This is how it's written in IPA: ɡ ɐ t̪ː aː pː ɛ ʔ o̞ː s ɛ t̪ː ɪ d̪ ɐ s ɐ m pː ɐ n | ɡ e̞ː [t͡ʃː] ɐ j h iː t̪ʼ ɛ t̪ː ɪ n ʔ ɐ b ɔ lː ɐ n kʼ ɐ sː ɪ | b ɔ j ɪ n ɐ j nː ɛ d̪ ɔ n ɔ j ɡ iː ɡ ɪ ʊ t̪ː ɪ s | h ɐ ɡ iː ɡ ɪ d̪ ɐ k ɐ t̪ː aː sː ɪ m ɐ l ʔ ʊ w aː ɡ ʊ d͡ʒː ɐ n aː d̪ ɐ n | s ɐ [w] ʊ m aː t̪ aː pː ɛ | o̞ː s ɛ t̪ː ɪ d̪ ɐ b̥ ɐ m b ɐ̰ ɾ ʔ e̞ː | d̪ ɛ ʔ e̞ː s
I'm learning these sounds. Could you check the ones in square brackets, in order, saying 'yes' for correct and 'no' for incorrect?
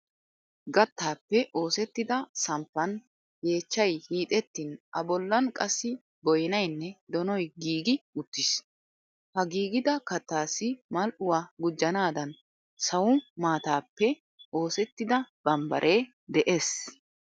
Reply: yes, yes

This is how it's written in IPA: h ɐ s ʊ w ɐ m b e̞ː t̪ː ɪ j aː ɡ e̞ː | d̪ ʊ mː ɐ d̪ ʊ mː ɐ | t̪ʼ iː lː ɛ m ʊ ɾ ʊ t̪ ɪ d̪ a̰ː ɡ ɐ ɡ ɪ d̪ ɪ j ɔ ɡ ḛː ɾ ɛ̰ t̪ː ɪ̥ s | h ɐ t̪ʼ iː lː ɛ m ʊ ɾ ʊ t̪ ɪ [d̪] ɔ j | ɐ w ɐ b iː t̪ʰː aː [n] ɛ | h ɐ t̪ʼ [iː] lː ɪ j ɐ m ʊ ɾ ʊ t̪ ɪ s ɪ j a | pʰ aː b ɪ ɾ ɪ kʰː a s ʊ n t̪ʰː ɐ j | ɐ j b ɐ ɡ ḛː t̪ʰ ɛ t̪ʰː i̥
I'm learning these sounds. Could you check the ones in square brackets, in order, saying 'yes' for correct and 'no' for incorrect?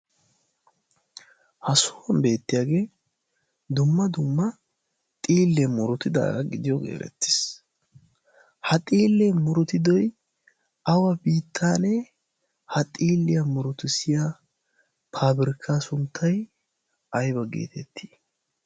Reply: yes, yes, yes

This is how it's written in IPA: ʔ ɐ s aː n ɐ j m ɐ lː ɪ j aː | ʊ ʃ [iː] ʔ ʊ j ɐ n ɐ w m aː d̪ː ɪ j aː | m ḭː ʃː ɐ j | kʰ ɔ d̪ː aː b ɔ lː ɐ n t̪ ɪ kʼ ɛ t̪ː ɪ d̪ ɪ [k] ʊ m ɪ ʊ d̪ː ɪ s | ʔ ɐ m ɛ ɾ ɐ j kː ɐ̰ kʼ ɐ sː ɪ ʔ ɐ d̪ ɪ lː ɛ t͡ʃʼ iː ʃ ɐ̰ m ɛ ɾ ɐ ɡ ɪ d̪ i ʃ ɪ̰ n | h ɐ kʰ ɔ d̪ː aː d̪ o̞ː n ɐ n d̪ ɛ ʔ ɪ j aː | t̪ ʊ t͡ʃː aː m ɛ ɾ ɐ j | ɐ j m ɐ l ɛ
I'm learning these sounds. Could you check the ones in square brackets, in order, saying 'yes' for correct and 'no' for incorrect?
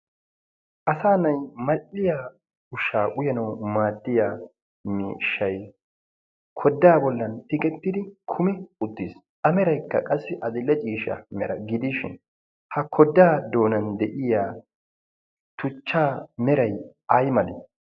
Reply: no, no

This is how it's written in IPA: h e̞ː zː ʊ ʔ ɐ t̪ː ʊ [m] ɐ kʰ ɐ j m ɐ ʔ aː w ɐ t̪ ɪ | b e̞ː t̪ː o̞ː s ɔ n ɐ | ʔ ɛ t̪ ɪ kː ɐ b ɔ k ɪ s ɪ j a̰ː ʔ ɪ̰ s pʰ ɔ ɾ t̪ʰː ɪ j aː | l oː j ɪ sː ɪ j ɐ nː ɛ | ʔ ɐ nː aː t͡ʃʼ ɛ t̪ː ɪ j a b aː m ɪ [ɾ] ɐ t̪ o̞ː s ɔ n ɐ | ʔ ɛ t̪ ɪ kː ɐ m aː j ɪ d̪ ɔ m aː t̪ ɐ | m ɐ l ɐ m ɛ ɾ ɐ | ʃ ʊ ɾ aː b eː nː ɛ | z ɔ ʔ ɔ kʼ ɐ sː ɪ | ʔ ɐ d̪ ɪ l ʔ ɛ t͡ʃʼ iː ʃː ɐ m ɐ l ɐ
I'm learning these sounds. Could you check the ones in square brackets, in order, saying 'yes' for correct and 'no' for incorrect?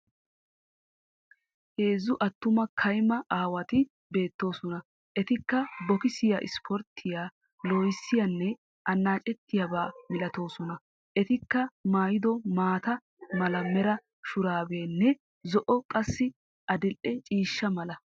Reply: yes, no

